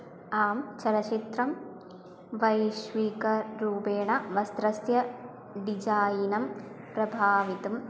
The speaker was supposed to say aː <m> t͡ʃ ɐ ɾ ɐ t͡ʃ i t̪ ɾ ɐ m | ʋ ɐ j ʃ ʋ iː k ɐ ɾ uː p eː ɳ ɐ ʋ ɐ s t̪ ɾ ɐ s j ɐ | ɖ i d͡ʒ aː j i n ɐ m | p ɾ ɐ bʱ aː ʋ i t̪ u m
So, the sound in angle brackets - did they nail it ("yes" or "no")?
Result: yes